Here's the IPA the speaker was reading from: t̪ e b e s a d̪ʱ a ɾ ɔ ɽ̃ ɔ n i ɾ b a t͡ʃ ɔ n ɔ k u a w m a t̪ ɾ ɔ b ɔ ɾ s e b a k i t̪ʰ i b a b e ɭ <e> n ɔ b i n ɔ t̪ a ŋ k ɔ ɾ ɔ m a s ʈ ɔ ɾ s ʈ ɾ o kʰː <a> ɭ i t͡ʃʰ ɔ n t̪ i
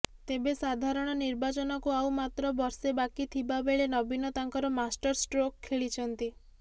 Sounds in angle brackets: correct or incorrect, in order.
correct, incorrect

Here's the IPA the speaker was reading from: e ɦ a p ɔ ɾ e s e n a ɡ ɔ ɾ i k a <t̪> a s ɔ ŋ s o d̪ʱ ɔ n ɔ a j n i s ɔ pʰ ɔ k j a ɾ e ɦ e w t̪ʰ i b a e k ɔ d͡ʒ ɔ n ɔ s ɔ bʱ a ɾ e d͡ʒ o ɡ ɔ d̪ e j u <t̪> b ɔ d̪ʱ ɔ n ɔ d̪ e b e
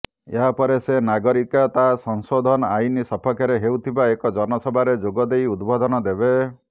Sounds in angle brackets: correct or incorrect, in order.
correct, incorrect

